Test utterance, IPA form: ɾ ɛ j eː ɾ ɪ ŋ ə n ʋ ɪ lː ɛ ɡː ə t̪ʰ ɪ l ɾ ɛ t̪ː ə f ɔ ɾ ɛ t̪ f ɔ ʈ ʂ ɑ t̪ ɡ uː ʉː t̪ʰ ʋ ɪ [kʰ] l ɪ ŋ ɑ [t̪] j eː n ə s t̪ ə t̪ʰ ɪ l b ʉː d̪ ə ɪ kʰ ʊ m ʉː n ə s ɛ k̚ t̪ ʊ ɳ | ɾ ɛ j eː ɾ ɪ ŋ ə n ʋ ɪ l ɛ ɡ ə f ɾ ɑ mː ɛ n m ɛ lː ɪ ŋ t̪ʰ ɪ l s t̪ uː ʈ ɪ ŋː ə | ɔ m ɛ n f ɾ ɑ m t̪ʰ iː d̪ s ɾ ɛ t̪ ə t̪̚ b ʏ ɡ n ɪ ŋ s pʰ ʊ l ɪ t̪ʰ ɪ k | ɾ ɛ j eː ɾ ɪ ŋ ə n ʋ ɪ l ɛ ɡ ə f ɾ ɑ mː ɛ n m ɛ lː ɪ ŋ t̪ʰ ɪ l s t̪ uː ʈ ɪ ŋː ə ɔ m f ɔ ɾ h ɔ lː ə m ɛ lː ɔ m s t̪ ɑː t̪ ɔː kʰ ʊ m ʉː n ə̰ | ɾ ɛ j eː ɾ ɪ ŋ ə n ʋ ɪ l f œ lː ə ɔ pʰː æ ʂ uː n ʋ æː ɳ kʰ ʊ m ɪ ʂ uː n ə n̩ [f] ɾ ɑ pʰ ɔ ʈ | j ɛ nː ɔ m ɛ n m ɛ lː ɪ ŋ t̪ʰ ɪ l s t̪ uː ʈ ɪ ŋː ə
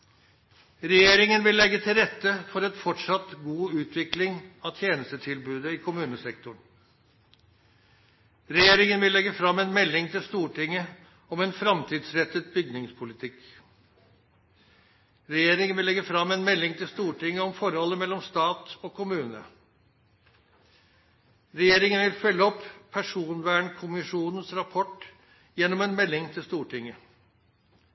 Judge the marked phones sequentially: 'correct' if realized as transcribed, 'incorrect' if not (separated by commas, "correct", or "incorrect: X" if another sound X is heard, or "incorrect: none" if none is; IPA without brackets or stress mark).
incorrect: k, incorrect: t̪ʰ, incorrect: s